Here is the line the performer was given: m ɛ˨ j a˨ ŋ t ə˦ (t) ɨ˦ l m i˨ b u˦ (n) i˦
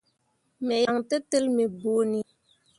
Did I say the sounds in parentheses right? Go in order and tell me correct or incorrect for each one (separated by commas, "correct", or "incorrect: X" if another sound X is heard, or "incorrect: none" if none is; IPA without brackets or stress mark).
correct, correct